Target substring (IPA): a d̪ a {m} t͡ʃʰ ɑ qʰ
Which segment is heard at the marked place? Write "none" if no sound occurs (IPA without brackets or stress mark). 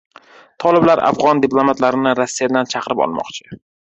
n